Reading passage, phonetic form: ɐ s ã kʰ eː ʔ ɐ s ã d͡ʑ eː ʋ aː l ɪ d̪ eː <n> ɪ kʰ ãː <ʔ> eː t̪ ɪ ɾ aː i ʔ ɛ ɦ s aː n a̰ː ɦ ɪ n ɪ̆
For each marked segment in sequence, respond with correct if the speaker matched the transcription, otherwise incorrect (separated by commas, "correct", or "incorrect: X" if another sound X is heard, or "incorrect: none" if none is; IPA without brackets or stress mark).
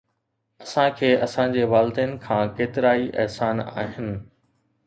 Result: correct, incorrect: k